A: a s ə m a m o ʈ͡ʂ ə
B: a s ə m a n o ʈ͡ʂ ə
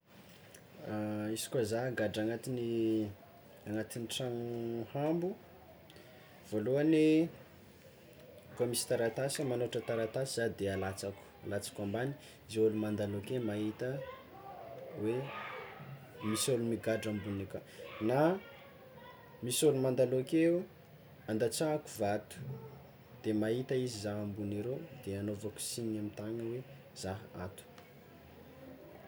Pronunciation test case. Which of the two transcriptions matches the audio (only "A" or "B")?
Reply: B